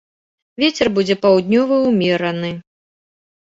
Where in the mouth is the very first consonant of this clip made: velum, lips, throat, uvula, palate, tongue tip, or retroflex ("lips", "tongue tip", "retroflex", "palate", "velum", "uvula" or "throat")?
lips